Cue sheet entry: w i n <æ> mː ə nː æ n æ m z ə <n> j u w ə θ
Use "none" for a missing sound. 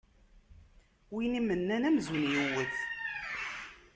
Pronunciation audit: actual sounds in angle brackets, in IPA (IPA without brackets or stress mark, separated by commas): i, n